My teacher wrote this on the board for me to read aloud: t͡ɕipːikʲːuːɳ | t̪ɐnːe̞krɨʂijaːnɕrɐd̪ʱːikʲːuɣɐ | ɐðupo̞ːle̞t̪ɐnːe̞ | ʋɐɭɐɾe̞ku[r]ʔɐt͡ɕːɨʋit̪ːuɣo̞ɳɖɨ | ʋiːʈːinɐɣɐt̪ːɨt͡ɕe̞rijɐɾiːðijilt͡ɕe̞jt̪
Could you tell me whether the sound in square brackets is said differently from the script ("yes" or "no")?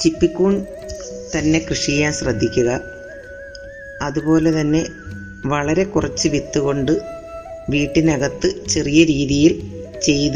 no